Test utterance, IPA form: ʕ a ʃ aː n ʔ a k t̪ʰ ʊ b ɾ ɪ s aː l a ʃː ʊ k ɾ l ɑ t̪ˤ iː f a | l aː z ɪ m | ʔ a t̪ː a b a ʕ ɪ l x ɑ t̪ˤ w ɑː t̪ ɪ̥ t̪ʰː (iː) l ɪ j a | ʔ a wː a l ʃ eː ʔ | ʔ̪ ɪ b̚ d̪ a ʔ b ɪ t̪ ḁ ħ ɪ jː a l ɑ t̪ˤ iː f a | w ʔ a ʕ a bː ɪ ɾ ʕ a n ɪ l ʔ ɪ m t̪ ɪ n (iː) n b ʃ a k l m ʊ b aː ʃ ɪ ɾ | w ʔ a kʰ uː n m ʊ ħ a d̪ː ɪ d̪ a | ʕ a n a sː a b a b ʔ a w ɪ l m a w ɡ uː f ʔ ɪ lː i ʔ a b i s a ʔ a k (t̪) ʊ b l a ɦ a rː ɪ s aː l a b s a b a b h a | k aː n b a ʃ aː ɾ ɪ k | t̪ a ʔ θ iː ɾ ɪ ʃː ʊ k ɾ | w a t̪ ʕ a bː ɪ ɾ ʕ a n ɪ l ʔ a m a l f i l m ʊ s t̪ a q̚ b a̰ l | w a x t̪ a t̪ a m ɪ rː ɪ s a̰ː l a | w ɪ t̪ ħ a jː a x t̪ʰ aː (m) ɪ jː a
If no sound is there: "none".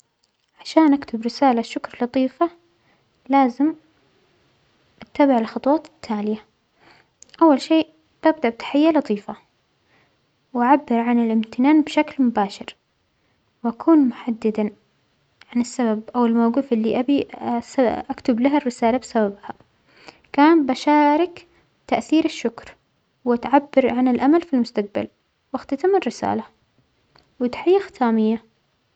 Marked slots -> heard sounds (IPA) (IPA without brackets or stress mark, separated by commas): aː, aː, t̪, m